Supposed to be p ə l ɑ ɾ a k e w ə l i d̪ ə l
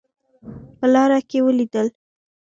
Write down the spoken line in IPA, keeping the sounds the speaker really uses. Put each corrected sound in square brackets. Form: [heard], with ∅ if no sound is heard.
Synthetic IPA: p ə l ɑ ɾ a k e w ə l i d̪ ə l